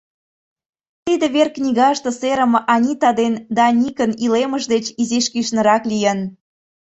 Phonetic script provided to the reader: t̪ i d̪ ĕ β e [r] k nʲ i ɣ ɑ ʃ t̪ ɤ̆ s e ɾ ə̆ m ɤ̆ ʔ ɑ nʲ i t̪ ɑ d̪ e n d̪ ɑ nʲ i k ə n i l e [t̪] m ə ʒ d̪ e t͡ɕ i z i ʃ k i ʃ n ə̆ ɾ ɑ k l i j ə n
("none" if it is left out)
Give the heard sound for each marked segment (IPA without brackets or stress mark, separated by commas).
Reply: r, none